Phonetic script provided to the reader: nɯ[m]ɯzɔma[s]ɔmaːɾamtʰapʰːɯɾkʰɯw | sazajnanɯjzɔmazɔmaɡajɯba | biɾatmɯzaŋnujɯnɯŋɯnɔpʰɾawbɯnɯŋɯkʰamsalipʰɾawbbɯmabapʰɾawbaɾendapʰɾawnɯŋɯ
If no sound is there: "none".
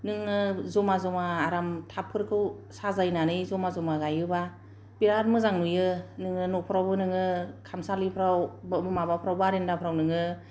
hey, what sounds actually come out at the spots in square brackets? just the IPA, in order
ŋ, z

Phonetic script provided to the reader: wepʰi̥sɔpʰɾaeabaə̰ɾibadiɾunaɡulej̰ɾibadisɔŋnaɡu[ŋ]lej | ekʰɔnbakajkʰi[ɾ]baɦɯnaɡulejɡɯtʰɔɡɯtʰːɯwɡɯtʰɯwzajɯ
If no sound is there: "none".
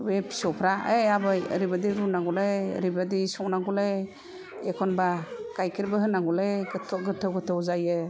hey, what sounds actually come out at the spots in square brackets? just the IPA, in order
none, ɾ

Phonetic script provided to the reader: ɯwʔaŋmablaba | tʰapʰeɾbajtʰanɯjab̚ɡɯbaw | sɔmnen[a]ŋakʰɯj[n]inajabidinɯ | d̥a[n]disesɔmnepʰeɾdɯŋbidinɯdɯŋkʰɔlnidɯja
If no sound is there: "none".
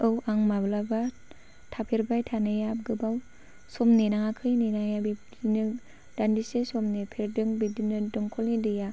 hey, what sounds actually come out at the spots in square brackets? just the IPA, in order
a, n, n

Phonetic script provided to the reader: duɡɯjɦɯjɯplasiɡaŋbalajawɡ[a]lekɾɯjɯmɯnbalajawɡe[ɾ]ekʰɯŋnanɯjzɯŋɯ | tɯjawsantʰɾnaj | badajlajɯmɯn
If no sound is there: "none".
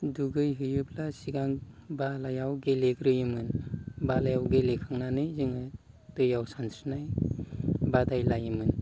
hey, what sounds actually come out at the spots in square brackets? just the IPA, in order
e, l

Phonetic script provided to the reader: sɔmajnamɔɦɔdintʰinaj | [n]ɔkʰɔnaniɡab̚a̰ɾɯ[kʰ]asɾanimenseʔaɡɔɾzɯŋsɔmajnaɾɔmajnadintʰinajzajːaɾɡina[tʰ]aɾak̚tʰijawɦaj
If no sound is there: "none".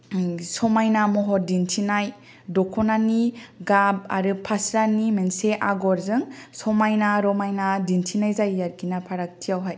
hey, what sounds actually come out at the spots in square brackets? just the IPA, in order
d, pʰ, pʰ

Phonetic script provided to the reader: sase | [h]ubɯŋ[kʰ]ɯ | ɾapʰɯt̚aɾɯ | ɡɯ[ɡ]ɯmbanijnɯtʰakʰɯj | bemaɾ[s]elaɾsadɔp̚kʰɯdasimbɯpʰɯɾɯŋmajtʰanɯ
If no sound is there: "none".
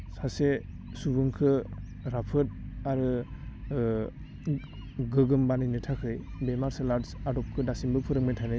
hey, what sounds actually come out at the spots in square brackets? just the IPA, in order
s, kʰ, ɡ, s

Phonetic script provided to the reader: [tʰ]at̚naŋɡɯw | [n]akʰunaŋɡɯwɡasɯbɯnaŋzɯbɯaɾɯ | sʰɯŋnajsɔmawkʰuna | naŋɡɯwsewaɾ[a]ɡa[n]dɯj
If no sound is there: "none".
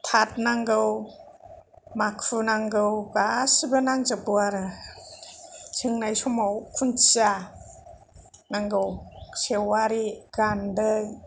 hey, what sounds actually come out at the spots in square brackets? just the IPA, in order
tʰ, m, i, n

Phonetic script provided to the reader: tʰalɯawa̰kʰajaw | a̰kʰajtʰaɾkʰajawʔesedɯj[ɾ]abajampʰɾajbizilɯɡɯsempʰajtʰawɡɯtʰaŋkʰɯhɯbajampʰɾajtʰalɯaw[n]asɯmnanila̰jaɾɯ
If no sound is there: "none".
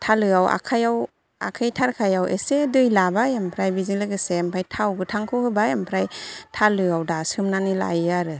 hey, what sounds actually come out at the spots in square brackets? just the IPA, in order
l, d

